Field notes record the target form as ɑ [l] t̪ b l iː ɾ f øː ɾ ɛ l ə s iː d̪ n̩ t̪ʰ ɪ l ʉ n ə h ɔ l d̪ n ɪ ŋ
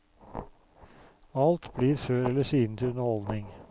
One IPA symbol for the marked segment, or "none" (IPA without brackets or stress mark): l